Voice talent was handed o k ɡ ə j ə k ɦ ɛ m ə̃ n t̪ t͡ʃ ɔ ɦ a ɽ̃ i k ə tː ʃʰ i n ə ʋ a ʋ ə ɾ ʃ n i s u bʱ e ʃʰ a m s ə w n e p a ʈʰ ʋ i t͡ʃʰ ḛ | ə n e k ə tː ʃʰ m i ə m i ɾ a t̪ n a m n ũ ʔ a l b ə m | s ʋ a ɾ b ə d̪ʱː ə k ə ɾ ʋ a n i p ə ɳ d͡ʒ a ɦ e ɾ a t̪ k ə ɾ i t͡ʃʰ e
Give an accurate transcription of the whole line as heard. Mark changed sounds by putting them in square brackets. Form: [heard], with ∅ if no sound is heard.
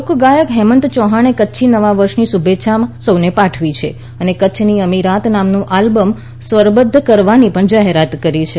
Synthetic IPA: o k ɡ [a] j ə k ɦ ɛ m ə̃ n t̪ t͡ʃ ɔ ɦ a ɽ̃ [e] k ə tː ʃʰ i n ə ʋ a ʋ ə ɾ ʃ n i s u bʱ e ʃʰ a m s ə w n e p a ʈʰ ʋ i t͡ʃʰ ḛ | ə n e k ə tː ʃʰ [n] i ə m i ɾ a t̪ n a m n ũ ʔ a l b ə m | s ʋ [ə] ɾ b ə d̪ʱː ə k ə ɾ ʋ a n i p ə ɳ d͡ʒ a ɦ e ɾ a t̪ k ə ɾ i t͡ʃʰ e